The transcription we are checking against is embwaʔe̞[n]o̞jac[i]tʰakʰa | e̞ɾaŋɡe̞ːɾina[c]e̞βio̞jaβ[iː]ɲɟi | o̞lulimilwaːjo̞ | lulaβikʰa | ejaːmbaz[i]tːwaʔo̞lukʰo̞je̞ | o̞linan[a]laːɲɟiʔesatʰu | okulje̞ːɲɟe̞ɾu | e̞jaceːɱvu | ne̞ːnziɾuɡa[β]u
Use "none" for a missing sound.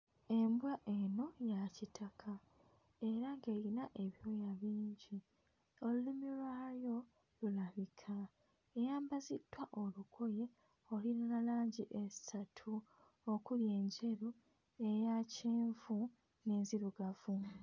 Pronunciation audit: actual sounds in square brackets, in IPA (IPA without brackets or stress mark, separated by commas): n, i, ʔ, iː, i, a, v